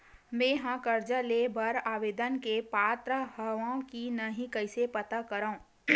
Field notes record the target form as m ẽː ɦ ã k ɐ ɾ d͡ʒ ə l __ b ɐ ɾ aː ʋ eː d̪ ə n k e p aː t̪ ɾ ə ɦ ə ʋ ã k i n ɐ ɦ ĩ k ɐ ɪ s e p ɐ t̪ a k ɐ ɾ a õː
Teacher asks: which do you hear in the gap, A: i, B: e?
B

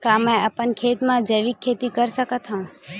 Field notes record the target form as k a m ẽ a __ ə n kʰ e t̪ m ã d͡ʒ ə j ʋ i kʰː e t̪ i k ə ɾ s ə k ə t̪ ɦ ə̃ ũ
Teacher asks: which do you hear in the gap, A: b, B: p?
B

